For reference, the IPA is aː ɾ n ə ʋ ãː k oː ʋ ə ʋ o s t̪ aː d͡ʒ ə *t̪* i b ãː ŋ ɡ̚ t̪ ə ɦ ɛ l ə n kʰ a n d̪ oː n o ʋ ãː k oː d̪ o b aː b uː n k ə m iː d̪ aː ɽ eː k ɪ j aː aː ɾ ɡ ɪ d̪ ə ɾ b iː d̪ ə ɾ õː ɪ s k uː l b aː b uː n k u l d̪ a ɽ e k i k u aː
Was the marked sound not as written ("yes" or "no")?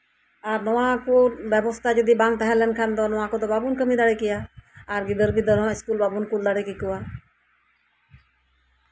yes